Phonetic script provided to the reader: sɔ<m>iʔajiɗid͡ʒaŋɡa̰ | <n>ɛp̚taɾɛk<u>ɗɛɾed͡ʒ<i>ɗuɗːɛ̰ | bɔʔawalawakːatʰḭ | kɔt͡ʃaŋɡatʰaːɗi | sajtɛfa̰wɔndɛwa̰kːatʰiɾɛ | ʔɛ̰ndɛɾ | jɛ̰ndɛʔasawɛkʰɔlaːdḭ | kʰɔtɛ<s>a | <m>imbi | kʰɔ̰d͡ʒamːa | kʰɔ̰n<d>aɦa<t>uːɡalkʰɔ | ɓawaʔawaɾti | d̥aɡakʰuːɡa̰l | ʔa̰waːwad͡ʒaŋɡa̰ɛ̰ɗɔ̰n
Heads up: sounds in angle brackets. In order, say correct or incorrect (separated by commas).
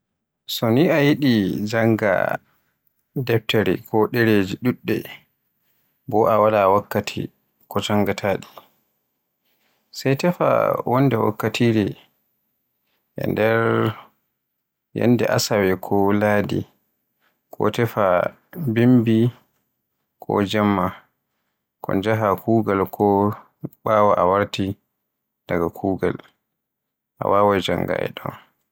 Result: incorrect, incorrect, incorrect, correct, incorrect, incorrect, incorrect, incorrect